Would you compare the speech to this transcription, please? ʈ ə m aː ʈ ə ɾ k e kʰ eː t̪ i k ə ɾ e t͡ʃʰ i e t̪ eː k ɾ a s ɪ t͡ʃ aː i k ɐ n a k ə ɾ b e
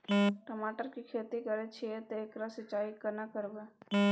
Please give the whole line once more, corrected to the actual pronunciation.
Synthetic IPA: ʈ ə m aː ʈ ə ɾ k i kʰ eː t̪ i k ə ɾ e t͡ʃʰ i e t̪ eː k ɾ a s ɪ t͡ʃ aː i k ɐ n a k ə ɾ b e